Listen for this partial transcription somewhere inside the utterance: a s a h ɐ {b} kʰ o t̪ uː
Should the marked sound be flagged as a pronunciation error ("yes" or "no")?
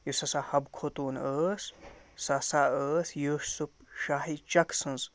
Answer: no